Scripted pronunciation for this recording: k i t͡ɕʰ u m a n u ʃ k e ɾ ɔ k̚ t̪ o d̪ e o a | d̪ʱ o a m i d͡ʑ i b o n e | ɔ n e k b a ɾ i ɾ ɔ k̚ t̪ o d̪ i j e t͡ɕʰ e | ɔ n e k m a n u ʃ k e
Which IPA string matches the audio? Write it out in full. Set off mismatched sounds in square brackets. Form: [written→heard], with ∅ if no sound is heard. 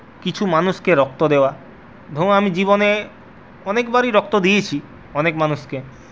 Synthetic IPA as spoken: k i t͡ɕʰ u m a n u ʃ k e ɾ ɔ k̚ t̪ o d̪ e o a | d̪ʱ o a m i d͡ʑ i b o n e | ɔ n e k b a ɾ i ɾ ɔ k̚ t̪ o d̪ i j e t͡ɕʰ [e→i] | ɔ n e k m a n u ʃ k e